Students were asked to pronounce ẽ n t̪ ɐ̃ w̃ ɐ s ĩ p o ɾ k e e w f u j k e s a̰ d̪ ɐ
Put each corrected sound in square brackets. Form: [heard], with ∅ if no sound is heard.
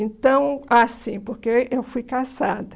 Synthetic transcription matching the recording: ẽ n t̪ ɐ̃ w̃ [a] s ĩ p o ɾ k e e w f u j k [a] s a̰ d̪ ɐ